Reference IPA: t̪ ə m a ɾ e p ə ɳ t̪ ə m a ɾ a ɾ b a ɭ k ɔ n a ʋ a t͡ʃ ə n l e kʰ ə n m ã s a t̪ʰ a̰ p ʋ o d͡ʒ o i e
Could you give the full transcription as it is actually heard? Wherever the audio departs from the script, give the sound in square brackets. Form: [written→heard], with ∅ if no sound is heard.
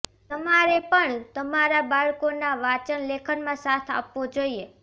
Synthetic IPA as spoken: t̪ ə m a ɾ e p ə ɳ t̪ ə m a ɾ a [ɾ→∅] b a ɭ k [ɔ→o] n a ʋ a t͡ʃ ə n l e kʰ ə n m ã s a t̪ʰ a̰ p ʋ o d͡ʒ o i e